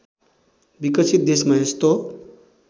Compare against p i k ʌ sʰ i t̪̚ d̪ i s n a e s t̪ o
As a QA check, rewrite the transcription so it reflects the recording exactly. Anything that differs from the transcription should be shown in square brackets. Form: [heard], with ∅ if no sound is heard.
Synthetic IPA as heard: [b] i k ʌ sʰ i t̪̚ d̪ [e] s [m] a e s t̪ o

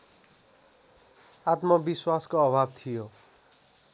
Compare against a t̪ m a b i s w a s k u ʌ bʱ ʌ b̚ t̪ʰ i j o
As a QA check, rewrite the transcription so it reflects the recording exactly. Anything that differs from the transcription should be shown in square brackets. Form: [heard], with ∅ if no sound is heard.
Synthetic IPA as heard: a t̪ m [ʌ] b i s w a s k [o] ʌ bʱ [a] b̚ t̪ʰ i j o

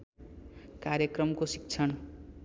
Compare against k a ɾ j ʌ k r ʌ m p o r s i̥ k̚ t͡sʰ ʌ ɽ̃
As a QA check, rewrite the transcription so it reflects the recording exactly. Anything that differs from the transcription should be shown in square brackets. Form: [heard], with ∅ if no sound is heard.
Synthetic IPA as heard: k a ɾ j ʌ k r ʌ m [k] o [∅] s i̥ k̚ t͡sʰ ʌ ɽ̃

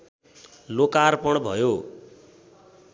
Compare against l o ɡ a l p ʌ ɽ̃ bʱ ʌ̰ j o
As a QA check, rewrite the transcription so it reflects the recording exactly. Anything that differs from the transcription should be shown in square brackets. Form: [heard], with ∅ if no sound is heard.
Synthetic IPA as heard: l o [k] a [r] p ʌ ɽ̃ bʱ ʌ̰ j o

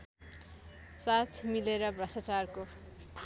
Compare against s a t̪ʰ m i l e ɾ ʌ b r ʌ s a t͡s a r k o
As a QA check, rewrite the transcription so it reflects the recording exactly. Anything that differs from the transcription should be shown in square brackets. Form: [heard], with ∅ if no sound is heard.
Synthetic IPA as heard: s a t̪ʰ m i l e ɾ ʌ b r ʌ s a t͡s a r k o

